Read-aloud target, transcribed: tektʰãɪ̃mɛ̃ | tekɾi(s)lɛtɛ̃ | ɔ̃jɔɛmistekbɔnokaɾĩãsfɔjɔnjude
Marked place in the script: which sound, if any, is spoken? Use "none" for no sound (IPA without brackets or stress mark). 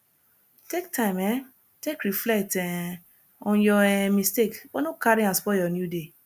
f